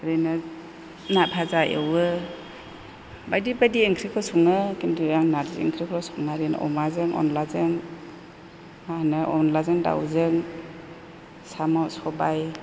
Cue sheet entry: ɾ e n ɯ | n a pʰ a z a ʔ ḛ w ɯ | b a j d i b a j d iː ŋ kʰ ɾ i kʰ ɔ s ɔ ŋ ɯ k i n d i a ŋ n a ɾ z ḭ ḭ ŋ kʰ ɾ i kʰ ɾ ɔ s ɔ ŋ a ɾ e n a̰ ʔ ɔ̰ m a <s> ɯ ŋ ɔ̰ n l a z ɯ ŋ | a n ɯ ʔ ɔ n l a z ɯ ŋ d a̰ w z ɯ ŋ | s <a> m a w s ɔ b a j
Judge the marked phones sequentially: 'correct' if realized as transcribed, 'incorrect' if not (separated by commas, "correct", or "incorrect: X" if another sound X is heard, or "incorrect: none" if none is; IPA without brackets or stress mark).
incorrect: z, correct